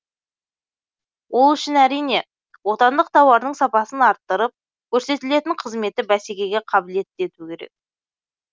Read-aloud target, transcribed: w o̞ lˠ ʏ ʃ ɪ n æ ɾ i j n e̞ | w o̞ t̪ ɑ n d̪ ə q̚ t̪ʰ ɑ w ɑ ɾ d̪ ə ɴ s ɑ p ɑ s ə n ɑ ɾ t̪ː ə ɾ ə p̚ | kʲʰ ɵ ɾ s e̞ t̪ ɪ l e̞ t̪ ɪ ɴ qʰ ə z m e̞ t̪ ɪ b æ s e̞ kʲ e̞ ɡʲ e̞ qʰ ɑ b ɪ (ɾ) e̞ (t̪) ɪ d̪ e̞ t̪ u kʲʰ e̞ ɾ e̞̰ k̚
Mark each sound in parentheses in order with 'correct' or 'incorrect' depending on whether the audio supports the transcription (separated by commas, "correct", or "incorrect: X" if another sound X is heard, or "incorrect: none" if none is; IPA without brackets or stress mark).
incorrect: l, correct